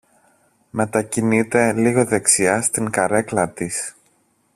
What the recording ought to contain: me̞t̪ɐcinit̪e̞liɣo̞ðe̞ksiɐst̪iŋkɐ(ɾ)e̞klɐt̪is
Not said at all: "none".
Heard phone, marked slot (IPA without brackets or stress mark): ɾ